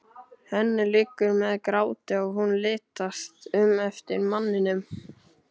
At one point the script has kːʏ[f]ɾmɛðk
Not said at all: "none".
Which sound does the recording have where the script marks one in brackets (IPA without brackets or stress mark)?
none